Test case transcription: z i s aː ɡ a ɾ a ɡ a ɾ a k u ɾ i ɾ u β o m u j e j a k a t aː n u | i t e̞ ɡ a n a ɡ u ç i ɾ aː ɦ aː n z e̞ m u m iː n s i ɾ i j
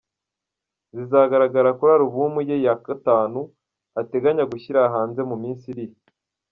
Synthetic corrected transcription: z i z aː ɡ a ɾ a ɡ a ɾ a k u ɾ a ɾ u β u m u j e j a k a t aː n u | a t e̞ ɡ a ɲ a ɡ u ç i ɾ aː ɦ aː n z e̞ m u m iː n s i ɾ i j

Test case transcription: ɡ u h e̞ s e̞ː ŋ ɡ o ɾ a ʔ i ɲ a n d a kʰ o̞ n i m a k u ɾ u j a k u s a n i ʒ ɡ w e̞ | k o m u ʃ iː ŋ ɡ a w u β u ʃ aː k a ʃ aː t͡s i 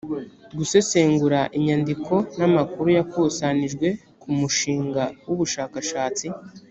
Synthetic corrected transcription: ɡ u s e̞ s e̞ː ŋ ɡ u ɾ a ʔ i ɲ a n d i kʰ o̞ n a m a k u ɾ u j a k u s a n i ʒ ɡ w e̞ | k u m u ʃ iː ŋ ɡ a w u β u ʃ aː k a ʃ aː t͡s i

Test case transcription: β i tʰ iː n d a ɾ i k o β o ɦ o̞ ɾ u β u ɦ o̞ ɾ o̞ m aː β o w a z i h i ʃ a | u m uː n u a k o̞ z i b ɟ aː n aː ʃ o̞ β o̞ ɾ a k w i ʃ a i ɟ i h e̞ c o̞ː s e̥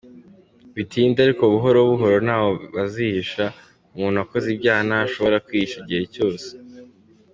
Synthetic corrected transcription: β i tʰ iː n d a ɾ i k o β u ɦ o̞ ɾ o β u ɦ o̞ ɾ o̞ n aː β o β a z i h i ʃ a | u m uː n u a k o̞ z i b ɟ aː n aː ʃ o̞ β o̞ ɾ a k w i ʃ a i ɟ i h e̞ c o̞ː s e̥

